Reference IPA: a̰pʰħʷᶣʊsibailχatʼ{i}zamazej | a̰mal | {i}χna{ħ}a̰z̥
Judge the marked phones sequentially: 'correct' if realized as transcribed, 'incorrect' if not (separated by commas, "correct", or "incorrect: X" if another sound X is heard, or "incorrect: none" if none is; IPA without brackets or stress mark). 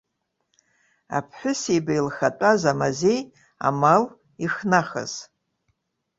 incorrect: a, correct, incorrect: χ